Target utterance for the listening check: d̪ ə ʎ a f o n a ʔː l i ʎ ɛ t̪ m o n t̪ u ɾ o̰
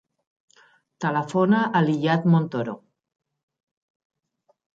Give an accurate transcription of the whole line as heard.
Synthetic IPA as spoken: t̪ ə l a f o n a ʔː l i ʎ a t̪ m o n t̪ o ɾ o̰